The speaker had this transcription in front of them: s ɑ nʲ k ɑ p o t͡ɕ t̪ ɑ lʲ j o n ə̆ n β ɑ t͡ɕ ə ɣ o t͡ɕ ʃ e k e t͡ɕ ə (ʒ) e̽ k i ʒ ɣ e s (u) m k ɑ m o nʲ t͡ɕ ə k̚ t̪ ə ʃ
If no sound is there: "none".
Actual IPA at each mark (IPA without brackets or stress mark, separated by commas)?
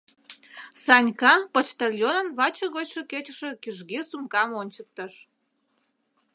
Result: ʃ, u